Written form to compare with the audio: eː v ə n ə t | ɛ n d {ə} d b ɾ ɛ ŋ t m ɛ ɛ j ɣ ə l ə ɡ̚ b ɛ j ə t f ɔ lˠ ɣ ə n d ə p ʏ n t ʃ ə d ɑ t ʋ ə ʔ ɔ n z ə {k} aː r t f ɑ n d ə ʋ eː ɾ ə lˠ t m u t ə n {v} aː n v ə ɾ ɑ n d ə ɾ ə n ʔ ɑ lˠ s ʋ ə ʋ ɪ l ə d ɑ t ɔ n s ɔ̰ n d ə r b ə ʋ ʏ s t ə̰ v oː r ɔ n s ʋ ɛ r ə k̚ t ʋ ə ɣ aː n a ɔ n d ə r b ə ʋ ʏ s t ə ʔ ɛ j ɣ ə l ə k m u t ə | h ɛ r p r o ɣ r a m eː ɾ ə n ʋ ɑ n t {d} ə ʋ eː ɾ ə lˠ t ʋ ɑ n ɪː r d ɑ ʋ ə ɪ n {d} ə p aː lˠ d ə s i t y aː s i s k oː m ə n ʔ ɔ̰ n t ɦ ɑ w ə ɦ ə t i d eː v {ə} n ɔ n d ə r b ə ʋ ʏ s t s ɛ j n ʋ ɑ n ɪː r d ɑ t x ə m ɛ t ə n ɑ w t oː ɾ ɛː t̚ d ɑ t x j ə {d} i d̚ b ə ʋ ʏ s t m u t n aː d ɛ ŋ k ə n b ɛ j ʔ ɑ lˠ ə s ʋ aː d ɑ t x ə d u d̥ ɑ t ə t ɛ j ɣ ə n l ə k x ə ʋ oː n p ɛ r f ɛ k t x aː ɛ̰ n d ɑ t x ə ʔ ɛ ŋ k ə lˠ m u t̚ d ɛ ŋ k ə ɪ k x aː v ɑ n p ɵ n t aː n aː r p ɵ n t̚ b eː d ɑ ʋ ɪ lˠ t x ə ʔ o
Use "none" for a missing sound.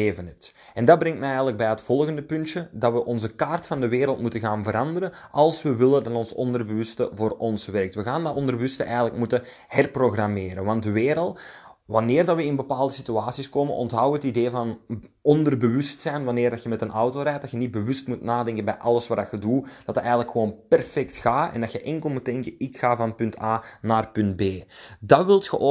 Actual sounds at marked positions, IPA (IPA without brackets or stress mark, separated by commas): ɑ, k, ɣ, d, b, ɑ, n